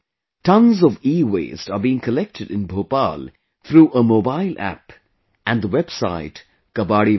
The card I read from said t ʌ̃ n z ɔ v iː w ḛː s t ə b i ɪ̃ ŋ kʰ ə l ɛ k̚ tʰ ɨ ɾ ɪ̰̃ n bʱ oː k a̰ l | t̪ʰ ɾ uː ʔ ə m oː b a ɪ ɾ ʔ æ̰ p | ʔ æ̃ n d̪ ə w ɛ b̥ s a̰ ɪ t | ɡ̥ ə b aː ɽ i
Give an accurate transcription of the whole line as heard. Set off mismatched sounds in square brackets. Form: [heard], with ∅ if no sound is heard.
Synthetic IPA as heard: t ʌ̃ n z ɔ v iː w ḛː s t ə b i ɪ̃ ŋ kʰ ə l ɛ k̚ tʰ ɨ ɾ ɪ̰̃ n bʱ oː [p] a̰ l | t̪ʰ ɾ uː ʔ ə m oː b a ɪ [l] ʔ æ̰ p | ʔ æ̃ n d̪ ə w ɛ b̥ s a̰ ɪ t | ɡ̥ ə b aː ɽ i